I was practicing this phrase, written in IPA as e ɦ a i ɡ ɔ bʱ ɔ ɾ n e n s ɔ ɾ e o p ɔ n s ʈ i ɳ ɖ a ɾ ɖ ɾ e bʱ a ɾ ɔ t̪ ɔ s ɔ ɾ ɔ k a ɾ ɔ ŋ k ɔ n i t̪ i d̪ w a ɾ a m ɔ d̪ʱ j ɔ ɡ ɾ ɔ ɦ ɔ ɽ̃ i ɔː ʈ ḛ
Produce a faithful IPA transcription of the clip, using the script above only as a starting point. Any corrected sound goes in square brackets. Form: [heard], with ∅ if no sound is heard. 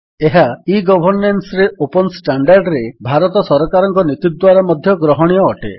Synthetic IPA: e ɦ a i ɡ ɔ bʱ ɔ ɾ n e n s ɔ ɾ e o p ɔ n s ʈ [a] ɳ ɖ a ɾ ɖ ɾ e bʱ a ɾ ɔ t̪ ɔ s ɔ ɾ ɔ k a ɾ ɔ ŋ k ɔ n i t̪ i d̪ w a ɾ a m ɔ d̪ʱ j ɔ ɡ ɾ ɔ ɦ ɔ ɽ̃ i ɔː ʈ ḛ